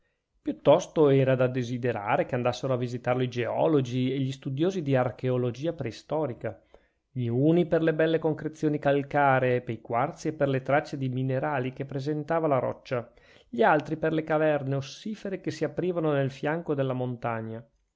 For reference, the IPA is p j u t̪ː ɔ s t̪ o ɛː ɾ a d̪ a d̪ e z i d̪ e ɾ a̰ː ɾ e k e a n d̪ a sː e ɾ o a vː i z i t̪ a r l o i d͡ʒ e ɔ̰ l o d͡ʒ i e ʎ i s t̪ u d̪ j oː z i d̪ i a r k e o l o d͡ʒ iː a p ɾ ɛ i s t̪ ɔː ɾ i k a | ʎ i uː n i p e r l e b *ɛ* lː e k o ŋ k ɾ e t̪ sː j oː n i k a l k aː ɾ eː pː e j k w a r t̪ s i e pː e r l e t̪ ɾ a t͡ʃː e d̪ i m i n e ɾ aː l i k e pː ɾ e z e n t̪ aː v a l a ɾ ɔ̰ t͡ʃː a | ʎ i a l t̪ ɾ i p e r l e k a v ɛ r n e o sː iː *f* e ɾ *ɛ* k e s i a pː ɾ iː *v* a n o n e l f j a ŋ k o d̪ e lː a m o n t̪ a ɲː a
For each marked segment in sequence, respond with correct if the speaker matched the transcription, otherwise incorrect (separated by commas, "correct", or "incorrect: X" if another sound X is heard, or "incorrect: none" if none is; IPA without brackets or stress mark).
correct, correct, incorrect: e, correct